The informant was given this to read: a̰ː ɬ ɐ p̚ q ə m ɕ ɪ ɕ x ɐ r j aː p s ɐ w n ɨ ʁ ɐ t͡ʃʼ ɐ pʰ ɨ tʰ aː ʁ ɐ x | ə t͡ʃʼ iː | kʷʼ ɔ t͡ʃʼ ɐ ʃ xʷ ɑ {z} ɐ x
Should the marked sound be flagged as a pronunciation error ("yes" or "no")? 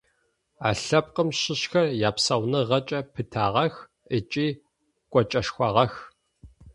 yes